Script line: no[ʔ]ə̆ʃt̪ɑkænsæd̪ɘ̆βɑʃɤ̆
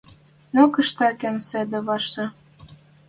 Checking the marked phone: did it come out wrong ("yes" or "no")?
yes